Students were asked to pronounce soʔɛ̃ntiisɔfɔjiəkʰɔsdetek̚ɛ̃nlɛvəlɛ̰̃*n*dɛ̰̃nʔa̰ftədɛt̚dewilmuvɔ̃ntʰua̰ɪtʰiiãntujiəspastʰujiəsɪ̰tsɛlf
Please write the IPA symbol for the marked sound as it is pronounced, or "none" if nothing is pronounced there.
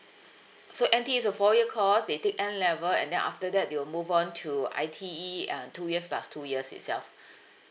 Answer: n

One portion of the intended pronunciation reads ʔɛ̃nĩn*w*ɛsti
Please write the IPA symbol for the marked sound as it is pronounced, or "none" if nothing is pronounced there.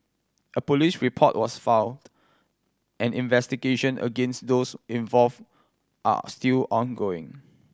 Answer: v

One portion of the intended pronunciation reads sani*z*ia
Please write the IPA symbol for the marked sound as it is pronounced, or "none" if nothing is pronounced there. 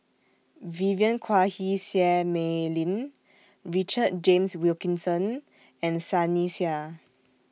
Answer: s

